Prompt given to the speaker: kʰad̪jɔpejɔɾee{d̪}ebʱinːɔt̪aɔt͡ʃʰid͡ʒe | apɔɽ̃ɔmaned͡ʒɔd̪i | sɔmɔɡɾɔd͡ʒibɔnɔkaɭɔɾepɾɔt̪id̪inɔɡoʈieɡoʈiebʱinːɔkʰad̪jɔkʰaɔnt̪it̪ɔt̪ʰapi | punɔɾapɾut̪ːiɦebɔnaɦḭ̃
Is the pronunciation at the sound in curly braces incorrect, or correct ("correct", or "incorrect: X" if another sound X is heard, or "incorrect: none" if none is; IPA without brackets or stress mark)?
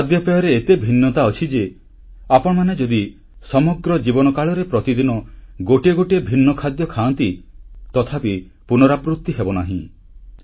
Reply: incorrect: t̪